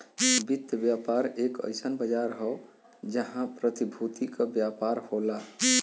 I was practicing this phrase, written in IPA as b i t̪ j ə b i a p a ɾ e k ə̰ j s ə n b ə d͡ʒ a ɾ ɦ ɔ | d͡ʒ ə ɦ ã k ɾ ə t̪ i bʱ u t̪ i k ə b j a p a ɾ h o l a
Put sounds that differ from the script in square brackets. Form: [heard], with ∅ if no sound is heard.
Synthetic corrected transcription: b i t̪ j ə b [j] a p a ɾ e k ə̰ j s ə n b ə d͡ʒ a ɾ ɦ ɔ | d͡ʒ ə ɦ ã [p] ɾ ə t̪ i bʱ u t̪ i k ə b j a p a ɾ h o l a